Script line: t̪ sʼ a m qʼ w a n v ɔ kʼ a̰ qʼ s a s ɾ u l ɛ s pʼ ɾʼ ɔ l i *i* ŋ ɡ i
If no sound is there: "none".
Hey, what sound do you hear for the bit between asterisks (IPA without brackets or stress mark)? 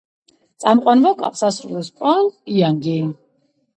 a